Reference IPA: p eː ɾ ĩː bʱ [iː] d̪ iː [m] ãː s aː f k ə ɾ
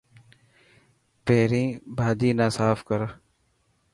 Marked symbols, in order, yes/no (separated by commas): no, no